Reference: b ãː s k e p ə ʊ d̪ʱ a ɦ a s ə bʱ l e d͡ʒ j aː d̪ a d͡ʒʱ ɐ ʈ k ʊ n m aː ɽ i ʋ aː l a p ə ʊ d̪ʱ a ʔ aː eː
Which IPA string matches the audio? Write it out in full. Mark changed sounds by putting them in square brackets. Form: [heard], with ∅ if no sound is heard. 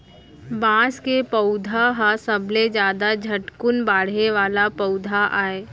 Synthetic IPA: b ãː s k e p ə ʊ d̪ʱ a ɦ a s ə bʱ l e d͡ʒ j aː d̪ a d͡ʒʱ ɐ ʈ k ʊ n [b] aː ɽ [e] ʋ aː l a p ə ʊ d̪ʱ a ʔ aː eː